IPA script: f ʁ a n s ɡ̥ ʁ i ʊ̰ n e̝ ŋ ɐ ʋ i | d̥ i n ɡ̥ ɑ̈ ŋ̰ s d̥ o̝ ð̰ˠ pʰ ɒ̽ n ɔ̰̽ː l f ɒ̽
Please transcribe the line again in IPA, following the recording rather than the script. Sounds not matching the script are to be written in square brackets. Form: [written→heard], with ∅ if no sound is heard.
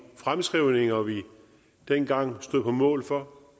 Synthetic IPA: f ʁ a [n→m] s ɡ̥ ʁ i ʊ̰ n e̝ ŋ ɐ ʋ i | d̥ [i→e] n ɡ̥ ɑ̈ ŋ̰ s d̥ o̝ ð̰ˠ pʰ ɒ̽ [n→m] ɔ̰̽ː l f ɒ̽